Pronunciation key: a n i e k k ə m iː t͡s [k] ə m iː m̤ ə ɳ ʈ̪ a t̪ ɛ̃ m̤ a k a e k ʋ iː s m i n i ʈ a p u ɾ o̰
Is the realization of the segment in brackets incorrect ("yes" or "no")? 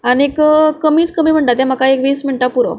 no